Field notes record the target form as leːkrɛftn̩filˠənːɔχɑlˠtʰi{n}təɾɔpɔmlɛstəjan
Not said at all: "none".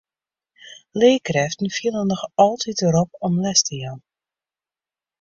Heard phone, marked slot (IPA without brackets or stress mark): none